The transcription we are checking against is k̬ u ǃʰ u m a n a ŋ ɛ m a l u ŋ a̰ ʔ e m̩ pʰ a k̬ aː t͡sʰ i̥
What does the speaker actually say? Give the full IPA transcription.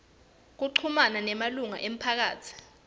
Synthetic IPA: k̬ u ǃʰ u m a n a n ɛ m a l u ŋ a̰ ʔ e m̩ pʰ a k̬ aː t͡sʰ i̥